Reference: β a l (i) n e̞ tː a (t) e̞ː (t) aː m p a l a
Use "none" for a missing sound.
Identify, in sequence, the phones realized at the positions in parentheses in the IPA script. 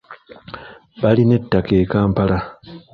i, k, k

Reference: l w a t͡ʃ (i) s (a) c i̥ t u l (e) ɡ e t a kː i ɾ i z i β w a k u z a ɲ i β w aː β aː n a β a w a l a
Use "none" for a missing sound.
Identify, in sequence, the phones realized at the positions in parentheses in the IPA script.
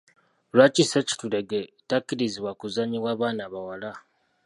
i, e, e

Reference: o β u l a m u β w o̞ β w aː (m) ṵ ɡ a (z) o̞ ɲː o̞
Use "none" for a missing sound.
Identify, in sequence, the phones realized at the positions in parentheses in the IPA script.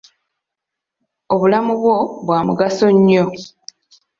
m, s

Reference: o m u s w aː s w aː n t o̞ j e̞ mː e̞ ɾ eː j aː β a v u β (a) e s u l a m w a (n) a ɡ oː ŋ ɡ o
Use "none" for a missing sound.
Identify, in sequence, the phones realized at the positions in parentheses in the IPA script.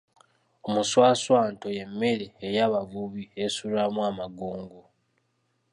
i, m

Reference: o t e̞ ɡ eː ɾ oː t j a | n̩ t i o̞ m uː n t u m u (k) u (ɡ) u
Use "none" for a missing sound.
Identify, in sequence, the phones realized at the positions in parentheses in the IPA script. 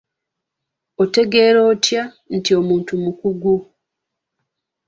k, ɡ

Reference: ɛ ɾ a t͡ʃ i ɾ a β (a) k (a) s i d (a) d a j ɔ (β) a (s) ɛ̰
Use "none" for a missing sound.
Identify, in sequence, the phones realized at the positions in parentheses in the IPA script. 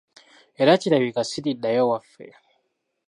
i, a, i, w, f

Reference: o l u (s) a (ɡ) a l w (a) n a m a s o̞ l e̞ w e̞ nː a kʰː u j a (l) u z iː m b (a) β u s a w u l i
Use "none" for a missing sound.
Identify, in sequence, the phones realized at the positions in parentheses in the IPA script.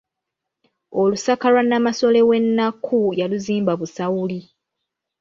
s, k, a, l, a

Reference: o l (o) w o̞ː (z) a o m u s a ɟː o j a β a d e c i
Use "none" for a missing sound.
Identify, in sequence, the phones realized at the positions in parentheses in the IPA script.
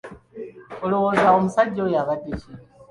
o, z

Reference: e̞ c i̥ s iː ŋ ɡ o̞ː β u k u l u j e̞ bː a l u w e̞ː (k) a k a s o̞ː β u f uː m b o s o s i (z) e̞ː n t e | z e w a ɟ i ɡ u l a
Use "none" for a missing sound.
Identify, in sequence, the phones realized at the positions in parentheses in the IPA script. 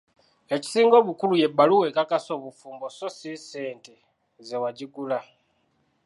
k, s

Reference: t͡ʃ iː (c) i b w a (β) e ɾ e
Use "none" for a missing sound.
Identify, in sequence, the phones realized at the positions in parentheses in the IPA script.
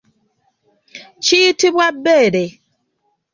t, b

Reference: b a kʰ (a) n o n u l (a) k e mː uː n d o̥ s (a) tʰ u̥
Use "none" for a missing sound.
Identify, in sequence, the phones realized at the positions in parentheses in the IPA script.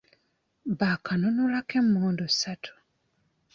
a, a, a

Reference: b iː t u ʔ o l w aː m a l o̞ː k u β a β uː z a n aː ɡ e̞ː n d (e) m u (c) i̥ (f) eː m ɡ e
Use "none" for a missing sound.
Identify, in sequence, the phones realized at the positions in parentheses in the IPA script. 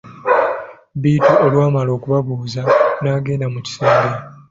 a, c, s

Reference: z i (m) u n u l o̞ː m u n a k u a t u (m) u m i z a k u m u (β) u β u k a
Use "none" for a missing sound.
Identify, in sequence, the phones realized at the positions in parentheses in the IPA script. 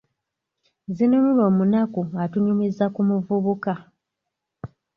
n, ɲ, v

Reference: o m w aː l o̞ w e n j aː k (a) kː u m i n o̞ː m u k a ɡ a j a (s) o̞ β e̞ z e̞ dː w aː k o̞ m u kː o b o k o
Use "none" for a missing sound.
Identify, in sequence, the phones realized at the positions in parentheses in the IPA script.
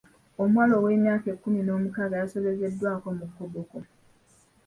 e, s

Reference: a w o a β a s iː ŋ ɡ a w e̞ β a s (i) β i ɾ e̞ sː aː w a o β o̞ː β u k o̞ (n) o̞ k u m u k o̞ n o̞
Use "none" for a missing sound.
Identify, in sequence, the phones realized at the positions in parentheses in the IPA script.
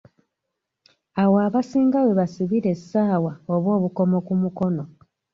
i, m

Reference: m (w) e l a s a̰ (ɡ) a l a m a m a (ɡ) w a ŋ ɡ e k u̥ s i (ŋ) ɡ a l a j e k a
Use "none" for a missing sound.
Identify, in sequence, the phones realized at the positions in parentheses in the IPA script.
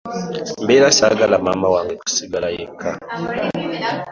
b, ɡ, none, none

